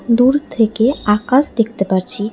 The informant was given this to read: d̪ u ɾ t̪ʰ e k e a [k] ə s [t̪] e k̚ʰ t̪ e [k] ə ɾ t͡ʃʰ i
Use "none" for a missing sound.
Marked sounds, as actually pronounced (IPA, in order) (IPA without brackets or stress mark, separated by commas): k, d̪, p